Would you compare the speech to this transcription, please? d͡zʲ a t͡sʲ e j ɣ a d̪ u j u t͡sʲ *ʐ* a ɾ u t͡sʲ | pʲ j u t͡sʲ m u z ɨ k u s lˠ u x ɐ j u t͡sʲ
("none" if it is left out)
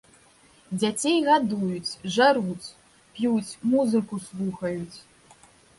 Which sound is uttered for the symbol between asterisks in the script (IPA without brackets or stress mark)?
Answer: ʐ